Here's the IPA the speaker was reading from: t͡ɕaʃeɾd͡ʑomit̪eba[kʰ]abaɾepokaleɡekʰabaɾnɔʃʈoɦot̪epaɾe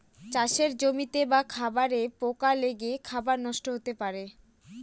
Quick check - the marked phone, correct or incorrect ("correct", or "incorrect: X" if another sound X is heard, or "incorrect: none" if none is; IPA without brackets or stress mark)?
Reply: correct